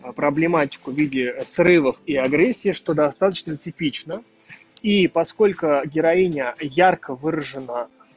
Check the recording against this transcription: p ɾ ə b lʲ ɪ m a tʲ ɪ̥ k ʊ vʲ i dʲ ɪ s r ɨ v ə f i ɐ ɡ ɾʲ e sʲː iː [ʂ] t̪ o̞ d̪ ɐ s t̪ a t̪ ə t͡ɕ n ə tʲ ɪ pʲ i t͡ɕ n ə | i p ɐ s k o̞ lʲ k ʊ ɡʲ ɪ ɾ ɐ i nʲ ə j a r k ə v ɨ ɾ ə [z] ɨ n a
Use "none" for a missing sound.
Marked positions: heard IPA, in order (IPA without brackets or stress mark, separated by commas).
ʂ, ʐ